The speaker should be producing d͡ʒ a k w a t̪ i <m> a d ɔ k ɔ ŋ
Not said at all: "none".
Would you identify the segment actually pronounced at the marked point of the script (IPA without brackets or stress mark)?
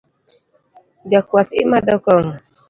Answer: m